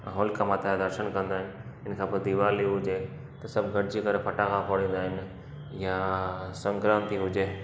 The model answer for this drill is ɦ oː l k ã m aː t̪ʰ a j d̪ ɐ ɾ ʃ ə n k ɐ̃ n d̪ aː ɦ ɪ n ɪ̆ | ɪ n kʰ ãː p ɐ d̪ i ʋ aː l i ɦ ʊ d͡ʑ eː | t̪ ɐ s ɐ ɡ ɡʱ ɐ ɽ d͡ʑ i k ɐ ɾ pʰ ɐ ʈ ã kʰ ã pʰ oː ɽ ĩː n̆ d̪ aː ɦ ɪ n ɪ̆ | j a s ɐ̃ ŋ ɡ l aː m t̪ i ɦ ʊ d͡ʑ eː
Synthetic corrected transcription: ɦ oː l k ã m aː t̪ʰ a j d̪ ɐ ɾ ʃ ə n k ɐ̃ n d̪ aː ɦ ɪ n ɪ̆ | ɪ n kʰ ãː p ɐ d̪ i ʋ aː l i ɦ ʊ d͡ʑ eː | t̪ ɐ s ɐ b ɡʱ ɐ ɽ d͡ʑ i k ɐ ɾ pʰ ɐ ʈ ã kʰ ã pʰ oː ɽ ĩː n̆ d̪ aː ɦ ɪ n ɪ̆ | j a s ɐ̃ ŋ ɡ ɾ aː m t̪ i ɦ ʊ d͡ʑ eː